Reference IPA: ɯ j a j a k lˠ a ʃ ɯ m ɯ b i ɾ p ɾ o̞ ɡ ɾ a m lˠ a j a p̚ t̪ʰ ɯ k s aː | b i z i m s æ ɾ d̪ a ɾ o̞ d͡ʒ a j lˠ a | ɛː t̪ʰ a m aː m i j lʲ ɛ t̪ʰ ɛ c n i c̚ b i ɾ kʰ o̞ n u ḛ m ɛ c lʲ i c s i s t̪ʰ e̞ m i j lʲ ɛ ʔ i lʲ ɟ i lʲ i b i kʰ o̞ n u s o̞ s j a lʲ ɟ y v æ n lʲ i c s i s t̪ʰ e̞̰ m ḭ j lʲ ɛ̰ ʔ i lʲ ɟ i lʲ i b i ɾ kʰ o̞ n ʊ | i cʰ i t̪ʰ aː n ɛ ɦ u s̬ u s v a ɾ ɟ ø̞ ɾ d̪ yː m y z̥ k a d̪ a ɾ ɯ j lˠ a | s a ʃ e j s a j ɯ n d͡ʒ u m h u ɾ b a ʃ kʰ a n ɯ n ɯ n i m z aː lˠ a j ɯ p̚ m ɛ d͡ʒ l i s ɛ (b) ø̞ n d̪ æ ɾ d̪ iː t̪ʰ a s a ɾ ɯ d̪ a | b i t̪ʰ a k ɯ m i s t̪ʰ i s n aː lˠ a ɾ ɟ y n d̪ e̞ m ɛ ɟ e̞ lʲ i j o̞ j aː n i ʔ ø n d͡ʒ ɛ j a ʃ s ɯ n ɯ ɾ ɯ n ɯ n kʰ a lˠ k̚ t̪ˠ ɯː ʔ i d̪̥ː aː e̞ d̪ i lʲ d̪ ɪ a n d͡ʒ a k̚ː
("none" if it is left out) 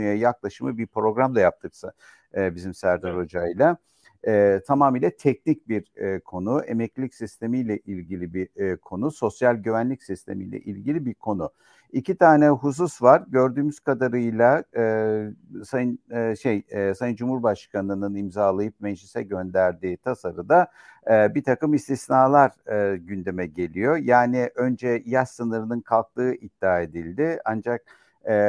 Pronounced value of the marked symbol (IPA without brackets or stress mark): ɟ